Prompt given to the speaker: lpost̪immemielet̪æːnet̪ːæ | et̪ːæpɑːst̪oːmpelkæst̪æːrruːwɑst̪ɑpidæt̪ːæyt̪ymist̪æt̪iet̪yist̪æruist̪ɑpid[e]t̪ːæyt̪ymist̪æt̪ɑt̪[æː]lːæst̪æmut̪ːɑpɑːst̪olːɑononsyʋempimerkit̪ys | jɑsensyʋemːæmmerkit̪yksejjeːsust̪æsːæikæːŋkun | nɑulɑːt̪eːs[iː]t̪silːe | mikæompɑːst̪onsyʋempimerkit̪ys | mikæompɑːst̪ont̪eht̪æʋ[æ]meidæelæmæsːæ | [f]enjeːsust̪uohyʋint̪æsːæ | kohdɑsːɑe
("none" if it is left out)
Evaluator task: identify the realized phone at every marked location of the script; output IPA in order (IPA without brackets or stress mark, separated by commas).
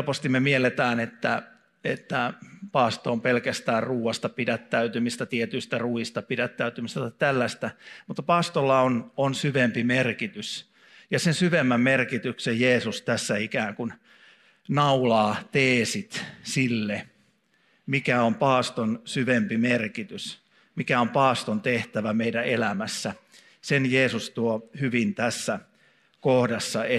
æ, æ, i, æ, s